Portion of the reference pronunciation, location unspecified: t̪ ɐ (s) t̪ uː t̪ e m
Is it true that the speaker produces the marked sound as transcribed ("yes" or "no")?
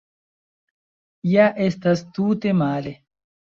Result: yes